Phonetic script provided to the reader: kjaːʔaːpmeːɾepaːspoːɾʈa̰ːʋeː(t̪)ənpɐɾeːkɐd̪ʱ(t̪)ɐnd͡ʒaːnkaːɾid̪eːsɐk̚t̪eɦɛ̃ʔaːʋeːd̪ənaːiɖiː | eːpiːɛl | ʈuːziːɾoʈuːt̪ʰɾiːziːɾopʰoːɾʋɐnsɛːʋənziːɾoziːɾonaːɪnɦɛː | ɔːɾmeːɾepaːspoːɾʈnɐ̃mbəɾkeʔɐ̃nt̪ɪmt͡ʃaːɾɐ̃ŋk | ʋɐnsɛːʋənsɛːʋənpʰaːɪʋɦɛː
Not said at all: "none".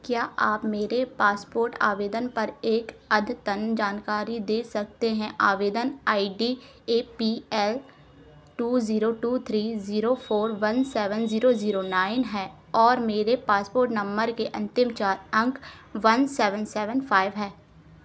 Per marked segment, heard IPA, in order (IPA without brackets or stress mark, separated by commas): d̪, t̪